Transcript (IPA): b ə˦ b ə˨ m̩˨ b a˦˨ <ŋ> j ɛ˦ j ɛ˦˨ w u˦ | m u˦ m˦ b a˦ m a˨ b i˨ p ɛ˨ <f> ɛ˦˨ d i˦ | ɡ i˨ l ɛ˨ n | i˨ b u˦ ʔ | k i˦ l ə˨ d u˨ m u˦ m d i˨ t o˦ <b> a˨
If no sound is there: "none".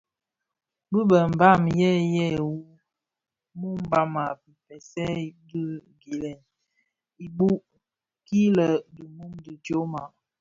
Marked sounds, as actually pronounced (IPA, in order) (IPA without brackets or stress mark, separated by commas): m, s, m